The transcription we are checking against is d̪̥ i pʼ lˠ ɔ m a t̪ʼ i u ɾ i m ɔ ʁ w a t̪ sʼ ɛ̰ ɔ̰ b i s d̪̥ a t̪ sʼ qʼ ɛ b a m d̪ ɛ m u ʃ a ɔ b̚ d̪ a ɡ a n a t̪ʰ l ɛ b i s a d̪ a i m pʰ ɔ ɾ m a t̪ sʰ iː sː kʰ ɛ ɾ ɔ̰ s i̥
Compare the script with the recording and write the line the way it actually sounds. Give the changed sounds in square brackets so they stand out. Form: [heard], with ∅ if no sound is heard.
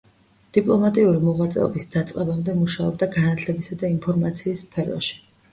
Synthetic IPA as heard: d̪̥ i pʼ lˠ ɔ m a t̪ʼ i u ɾ i m ɔ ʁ w a t̪ sʼ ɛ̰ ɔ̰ b i s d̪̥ a t̪ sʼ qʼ ɛ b a m d̪ ɛ m u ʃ a ɔ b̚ d̪ a ɡ a n a t̪ʰ l ɛ b i s a d̪ a i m pʰ ɔ ɾ m a t̪ sʰ iː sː [pʰ] ɛ ɾ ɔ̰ [ʃ] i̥